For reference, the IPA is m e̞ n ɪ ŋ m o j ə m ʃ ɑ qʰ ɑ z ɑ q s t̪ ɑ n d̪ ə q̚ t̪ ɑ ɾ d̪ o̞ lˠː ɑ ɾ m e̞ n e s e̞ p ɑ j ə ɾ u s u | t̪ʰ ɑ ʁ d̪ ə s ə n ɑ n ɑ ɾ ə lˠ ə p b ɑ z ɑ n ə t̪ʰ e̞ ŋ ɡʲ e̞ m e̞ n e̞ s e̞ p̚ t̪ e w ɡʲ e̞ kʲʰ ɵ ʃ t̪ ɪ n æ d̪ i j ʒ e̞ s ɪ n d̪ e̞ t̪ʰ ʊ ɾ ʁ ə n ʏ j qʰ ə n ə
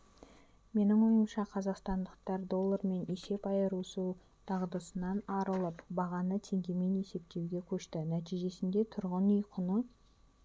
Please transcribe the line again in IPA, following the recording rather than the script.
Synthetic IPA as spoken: m e̞ n ɪ ŋ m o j ə m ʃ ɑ qʰ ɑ z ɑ q s t̪ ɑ n d̪ ə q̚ t̪ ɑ ɾ d̪ o̞ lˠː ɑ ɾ m e̞ n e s e̞ p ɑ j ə ɾ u s u | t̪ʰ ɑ ʁ d̪ ə s ə n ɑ n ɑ ɾ ə lˠ ə p b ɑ ʁ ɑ n ə t̪ʰ e̞ ŋ ɡʲ e̞ m e̞ n e̞ s e̞ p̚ t̪ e w ɡʲ e̞ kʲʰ ɵ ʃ t̪ ɪ n æ t̪ i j ʒ e̞ s ɪ n d̪ e̞ t̪ʰ ʊ ɾ ʁ ə n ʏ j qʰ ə n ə